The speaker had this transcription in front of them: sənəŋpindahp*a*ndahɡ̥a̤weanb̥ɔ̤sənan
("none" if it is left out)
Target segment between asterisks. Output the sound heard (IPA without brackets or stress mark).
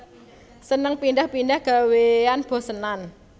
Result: i